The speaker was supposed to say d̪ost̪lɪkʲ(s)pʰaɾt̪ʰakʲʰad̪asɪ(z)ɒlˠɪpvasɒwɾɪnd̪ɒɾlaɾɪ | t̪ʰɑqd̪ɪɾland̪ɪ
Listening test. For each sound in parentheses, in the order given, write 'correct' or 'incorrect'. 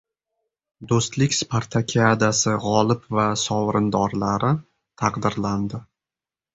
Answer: correct, incorrect

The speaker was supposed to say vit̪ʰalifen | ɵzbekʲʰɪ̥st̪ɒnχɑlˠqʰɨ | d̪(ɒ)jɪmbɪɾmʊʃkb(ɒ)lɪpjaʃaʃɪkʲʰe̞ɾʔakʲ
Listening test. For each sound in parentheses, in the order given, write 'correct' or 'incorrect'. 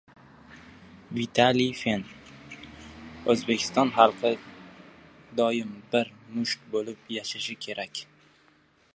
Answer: correct, incorrect

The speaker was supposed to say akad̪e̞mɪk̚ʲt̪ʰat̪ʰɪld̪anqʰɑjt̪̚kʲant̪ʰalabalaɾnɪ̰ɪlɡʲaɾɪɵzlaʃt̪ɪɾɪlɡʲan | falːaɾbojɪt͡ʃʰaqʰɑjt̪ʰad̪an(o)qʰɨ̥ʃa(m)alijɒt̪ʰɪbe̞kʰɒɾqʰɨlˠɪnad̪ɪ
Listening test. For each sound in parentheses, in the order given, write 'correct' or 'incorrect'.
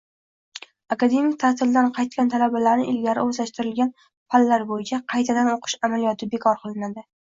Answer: correct, correct

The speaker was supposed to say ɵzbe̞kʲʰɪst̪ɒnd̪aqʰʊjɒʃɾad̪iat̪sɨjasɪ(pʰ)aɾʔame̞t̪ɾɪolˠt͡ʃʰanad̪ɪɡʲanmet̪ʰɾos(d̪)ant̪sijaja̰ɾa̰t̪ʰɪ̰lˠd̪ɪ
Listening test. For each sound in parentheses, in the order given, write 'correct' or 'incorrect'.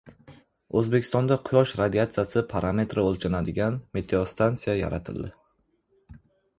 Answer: correct, incorrect

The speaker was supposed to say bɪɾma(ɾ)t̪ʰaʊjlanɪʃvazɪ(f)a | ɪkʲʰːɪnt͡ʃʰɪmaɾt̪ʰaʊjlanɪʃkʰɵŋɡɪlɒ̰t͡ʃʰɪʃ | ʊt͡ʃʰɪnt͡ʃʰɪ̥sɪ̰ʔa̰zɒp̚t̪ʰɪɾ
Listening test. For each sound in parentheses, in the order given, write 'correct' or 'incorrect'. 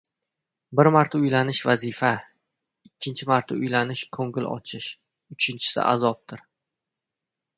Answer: correct, correct

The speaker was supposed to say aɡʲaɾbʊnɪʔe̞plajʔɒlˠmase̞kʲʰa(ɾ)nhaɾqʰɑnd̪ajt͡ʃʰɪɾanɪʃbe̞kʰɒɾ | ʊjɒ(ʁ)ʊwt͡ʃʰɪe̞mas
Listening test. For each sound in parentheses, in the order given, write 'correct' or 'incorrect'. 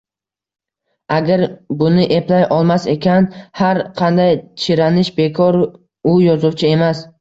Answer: incorrect, incorrect

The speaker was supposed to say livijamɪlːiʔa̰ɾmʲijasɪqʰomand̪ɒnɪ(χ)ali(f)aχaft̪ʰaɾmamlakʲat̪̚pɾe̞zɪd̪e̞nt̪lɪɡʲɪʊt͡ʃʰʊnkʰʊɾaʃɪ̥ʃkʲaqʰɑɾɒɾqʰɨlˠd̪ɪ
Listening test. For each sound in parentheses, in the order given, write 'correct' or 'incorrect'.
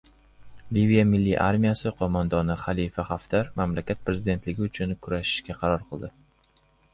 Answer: correct, correct

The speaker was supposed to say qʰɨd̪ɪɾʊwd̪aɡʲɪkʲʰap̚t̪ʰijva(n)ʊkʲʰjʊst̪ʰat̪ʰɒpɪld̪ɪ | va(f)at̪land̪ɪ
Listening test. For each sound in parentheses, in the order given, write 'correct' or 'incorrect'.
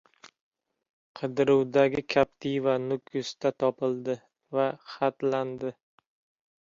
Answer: correct, incorrect

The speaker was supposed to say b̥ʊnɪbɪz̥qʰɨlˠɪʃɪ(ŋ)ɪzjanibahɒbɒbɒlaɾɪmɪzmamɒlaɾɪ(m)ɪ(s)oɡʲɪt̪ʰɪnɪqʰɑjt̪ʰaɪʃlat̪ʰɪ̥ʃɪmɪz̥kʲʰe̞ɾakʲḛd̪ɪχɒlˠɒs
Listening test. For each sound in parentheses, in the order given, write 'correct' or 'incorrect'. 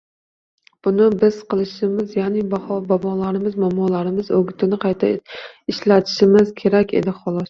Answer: incorrect, correct, incorrect

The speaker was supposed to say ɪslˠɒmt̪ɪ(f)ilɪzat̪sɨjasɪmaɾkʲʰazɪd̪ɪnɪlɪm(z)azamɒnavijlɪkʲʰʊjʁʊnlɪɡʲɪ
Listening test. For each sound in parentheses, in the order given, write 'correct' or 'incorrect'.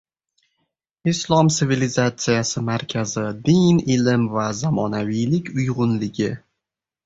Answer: incorrect, incorrect

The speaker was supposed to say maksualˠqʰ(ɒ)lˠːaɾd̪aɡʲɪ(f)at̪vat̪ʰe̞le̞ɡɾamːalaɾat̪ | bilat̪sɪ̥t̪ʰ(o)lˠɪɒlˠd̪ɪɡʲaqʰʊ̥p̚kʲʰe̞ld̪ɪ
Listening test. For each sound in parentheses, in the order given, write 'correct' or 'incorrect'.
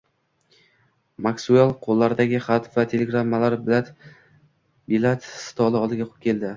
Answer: incorrect, incorrect, incorrect

